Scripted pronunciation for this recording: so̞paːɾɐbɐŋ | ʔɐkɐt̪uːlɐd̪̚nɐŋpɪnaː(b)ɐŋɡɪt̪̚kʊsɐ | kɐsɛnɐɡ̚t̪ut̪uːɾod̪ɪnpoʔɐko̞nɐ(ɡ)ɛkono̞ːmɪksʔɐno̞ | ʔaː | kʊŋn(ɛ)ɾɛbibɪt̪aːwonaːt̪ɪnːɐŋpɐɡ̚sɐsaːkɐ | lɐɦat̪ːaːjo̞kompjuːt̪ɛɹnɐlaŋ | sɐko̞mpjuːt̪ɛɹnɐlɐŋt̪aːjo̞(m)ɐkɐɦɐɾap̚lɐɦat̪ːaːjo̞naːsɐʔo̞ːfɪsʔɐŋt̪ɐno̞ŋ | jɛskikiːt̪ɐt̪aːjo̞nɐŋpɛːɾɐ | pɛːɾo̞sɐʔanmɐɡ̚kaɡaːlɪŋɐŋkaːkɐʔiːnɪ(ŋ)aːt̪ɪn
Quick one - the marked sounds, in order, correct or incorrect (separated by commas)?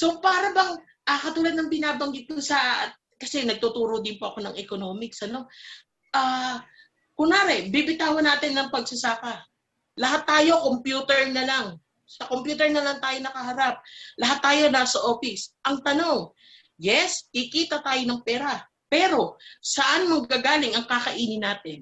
correct, incorrect, incorrect, incorrect, incorrect